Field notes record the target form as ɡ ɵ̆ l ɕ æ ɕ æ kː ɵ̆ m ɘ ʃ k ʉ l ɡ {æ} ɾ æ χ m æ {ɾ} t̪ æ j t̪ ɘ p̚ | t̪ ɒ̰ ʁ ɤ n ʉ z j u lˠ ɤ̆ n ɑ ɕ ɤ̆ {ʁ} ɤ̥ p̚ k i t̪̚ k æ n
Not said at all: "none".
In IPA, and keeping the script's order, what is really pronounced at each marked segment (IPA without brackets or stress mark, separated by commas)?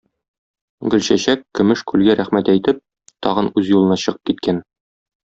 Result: æ, none, ʁ